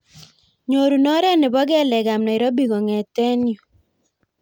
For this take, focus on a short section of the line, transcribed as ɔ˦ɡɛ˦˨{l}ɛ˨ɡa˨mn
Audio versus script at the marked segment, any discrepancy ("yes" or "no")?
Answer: no